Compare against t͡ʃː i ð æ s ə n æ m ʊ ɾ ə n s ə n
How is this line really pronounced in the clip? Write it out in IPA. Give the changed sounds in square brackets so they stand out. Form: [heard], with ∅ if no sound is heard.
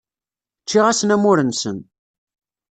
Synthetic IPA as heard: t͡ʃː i [ʁ] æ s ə n æ m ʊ ɾ ə n s ə n